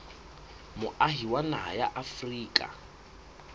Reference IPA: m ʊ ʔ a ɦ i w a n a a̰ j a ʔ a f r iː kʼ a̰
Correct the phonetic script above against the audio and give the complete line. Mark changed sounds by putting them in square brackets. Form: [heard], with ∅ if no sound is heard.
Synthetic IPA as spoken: m ʊ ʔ a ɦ i w a n a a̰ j a ʔ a f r iː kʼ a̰